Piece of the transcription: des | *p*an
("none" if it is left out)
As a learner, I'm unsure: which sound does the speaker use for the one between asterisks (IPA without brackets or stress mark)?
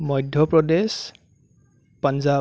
p